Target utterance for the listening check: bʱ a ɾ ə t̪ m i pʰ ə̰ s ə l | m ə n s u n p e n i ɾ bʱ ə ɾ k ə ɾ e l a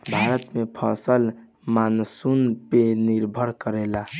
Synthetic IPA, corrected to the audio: bʱ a ɾ ə t̪ m e pʰ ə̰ s ə l | m a n s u n p e n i ɾ bʱ ə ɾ k ə ɾ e l a